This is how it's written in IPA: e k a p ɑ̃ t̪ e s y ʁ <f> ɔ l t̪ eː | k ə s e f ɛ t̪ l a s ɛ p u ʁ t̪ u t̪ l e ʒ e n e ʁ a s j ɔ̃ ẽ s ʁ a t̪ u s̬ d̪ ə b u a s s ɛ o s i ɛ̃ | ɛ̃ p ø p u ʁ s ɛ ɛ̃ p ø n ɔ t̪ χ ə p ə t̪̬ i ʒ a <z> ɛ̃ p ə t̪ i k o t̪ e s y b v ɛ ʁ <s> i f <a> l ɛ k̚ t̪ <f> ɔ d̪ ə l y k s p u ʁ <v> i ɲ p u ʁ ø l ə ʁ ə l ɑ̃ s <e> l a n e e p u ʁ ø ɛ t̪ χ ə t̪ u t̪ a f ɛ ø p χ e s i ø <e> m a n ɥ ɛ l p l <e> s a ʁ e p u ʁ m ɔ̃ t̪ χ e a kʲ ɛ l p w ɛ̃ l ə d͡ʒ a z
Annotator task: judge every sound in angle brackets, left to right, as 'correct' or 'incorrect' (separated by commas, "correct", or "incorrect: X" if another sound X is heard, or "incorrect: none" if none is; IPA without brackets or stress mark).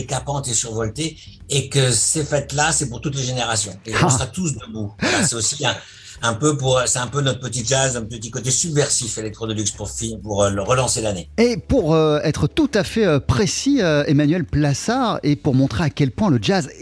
incorrect: v, correct, correct, incorrect: e, incorrect: χ, incorrect: f, correct, correct, incorrect: a